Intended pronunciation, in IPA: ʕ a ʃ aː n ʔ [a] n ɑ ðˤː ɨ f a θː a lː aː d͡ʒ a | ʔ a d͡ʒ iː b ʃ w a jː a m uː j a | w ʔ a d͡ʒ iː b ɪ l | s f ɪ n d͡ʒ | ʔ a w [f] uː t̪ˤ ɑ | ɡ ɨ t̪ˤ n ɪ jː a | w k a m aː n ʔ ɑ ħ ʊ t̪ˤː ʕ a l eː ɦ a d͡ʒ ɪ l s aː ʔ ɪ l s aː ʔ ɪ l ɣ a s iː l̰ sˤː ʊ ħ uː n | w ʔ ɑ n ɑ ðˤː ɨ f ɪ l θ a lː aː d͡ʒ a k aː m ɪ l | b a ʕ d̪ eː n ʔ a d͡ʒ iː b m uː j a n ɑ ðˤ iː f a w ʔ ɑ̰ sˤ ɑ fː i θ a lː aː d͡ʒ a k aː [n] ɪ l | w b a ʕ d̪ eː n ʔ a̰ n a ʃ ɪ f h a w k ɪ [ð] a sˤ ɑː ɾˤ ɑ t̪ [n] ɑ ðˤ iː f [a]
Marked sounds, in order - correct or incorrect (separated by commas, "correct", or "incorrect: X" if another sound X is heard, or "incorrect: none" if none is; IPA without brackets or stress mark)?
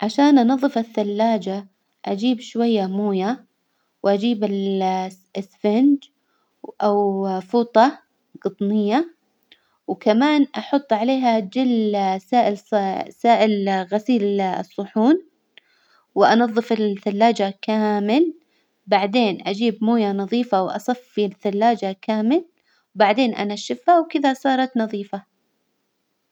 incorrect: ɑ, correct, incorrect: m, correct, correct, correct